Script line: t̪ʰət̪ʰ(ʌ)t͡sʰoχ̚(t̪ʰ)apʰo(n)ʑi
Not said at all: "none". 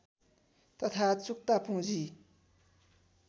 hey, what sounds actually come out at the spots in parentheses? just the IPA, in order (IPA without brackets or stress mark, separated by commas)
a, t̪, ŋ